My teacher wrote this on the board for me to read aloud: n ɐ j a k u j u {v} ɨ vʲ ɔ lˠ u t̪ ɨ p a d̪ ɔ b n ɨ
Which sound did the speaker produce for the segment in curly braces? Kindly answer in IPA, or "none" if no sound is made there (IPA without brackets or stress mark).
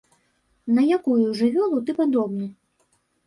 ʐ